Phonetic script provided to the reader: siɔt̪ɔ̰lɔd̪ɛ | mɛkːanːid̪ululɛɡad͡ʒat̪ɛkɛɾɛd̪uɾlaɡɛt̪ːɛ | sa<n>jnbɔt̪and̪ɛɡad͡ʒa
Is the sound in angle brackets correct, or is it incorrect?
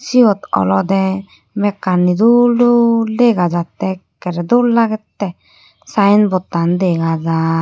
incorrect